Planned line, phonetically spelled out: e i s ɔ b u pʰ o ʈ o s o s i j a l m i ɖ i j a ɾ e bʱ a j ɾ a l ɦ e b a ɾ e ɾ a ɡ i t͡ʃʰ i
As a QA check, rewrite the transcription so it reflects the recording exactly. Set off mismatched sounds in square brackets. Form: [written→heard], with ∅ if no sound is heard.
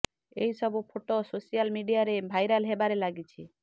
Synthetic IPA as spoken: e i s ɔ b u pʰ o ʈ o s o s i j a l m i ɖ i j a ɾ e bʱ a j ɾ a l ɦ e b a ɾ e [ɾ→l] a ɡ i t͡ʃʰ i